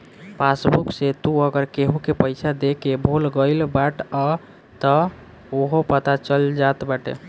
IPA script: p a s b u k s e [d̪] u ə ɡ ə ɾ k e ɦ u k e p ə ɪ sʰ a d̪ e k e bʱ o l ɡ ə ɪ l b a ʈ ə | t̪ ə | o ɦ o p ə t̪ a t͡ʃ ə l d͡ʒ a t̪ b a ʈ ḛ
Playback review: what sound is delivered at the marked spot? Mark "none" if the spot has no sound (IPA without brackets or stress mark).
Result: t̪